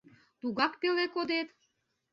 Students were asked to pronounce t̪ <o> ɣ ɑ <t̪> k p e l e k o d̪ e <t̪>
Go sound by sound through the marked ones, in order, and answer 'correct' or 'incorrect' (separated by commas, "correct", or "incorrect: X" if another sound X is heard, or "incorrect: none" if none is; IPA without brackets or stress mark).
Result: incorrect: u, incorrect: none, correct